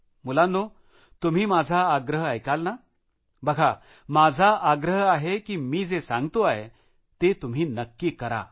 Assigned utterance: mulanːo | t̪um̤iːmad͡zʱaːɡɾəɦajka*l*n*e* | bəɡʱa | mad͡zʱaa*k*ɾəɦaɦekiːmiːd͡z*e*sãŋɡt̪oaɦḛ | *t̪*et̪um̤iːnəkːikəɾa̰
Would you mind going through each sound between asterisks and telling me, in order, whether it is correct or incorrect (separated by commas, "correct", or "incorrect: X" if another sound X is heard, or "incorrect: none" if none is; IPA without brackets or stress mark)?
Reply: correct, incorrect: a, incorrect: ɡ, correct, correct